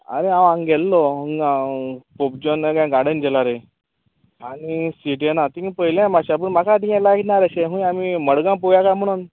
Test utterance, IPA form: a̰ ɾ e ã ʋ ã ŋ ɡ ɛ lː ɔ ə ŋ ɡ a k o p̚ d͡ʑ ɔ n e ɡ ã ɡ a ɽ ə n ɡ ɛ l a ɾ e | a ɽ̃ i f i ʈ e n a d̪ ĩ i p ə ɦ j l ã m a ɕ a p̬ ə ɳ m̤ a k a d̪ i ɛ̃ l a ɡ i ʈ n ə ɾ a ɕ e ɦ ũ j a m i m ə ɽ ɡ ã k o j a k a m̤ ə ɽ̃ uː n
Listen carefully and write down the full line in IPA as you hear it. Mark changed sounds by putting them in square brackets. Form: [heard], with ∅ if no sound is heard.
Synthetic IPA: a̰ ɾ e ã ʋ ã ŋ ɡ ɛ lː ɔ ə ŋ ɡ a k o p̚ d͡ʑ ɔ n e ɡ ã ɡ a ɽ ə n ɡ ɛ l a ɾ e | a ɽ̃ i [s] i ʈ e n a [t̪] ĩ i p ə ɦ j l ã m a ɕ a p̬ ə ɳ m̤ a k a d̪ i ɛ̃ l a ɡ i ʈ n [a] ɾ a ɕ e ɦ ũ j a m i m ə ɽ ɡ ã [p] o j a k a m̤ ə ɽ̃ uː n